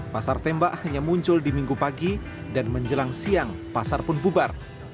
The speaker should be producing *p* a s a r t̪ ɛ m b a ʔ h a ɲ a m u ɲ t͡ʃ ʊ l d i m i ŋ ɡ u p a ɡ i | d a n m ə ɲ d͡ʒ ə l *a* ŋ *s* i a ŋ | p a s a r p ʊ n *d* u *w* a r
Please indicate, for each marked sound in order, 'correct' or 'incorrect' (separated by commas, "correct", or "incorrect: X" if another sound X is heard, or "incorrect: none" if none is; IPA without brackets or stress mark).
correct, correct, correct, incorrect: b, incorrect: b